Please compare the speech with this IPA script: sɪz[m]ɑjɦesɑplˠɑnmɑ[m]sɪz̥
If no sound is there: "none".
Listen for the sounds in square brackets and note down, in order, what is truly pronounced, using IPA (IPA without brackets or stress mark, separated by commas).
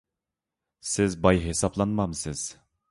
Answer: b, m